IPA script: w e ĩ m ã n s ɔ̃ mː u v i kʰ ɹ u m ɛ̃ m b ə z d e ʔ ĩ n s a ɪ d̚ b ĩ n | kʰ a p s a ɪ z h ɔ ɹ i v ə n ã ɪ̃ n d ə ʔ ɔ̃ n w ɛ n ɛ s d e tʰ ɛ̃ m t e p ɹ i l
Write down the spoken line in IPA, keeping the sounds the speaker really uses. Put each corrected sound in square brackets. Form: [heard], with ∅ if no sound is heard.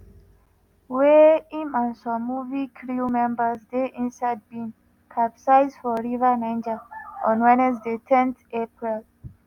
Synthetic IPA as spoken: w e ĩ m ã n s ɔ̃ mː u v i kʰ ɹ u m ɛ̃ m b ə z d e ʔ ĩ n s a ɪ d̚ b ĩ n | kʰ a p s a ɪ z [f] ɔ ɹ i v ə n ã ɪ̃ n [d͡ʒ] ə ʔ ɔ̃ n w ɛ n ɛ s d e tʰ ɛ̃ [n] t e p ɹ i l